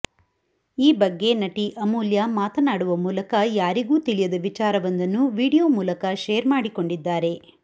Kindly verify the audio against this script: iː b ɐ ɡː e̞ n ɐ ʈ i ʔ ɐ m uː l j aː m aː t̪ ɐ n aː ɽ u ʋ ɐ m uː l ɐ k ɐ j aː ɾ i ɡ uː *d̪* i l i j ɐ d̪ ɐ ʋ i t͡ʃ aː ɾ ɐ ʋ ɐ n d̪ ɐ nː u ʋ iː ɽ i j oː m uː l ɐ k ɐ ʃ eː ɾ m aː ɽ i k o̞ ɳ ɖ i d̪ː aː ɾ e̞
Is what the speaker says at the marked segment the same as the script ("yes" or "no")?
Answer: no